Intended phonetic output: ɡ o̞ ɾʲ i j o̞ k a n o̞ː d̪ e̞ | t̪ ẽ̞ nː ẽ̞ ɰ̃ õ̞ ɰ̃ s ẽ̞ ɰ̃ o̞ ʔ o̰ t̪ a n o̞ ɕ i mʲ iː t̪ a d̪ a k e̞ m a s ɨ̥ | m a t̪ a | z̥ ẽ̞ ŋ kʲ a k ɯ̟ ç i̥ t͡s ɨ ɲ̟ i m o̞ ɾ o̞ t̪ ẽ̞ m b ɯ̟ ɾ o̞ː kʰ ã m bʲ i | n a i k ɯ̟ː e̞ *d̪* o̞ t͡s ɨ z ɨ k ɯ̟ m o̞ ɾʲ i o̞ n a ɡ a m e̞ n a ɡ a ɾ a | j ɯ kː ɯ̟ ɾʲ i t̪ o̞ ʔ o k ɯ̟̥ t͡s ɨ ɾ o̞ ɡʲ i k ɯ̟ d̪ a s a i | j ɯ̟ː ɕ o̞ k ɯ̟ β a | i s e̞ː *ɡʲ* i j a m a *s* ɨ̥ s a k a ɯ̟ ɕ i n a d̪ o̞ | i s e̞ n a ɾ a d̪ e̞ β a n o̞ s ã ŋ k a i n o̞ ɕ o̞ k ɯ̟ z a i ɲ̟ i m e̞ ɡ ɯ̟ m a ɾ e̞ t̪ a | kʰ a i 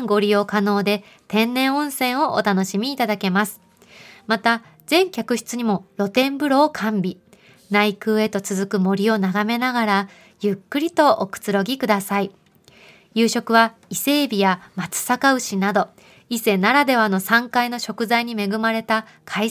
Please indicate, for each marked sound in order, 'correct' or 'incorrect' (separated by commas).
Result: incorrect, incorrect, incorrect